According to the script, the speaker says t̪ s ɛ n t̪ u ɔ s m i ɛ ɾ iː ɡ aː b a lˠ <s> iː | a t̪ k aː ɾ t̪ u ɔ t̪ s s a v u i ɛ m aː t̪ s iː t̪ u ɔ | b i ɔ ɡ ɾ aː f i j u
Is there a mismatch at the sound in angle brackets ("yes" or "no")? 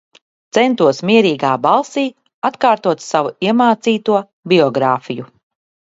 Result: no